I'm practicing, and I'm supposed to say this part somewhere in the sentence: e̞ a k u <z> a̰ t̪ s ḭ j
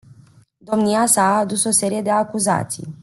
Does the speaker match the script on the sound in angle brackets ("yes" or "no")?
yes